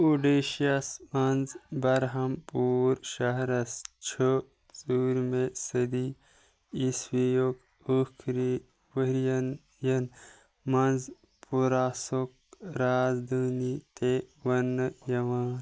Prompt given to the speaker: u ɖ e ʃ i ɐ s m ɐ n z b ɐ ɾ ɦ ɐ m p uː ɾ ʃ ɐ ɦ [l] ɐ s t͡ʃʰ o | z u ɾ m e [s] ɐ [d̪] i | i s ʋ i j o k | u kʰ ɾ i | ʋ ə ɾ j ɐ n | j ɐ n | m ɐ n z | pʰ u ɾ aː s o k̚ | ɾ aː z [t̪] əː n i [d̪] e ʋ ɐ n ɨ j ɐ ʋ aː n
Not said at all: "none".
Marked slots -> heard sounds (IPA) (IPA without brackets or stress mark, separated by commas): ɾ, s, d̪, d̪, t̪